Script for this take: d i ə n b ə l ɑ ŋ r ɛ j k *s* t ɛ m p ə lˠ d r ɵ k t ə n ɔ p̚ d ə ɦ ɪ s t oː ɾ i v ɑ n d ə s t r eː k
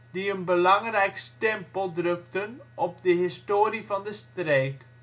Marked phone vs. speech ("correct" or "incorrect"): correct